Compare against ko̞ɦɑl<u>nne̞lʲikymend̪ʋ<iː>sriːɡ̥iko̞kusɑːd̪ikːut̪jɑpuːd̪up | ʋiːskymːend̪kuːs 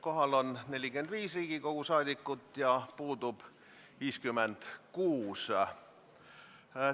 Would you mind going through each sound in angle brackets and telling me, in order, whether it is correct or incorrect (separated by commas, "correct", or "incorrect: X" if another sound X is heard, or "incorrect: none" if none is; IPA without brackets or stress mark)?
incorrect: o, correct